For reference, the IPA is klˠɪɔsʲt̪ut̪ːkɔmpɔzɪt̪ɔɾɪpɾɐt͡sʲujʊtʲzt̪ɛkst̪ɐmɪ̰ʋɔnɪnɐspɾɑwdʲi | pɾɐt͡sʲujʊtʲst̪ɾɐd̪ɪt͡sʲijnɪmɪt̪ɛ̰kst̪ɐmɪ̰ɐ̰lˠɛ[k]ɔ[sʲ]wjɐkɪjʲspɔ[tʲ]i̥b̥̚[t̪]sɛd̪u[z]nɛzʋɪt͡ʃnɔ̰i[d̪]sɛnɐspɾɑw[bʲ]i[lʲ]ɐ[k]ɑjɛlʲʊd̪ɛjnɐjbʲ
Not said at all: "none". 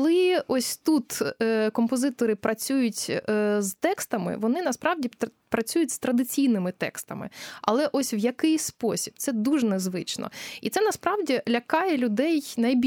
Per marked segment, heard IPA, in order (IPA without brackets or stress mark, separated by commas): ʔ, sʲ, sʲ, t̪, ʒ, t̪, dʲ, lʲ, k